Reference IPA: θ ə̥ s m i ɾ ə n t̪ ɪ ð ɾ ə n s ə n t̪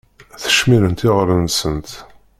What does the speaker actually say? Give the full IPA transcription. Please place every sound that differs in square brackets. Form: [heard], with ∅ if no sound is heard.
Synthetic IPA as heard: θ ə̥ [ʃ] m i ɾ ə n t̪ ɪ [ʁ] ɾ ə n s ə n t̪